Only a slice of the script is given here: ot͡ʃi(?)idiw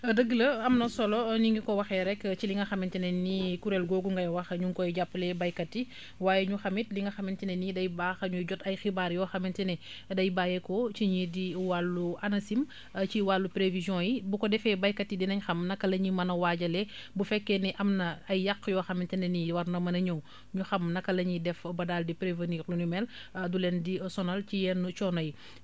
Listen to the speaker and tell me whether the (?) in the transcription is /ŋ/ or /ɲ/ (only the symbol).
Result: ɲ